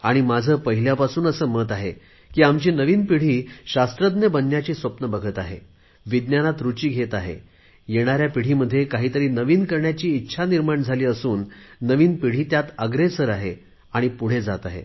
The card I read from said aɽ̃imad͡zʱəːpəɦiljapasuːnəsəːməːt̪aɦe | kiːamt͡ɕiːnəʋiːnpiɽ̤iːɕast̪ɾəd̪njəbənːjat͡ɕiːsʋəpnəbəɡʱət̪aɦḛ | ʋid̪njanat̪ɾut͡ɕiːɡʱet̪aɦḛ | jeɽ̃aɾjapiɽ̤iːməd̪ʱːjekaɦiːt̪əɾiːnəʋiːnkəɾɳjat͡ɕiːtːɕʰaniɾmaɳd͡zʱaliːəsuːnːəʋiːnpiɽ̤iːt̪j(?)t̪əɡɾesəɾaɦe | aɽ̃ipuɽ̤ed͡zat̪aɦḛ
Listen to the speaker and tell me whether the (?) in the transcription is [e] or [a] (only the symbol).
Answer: a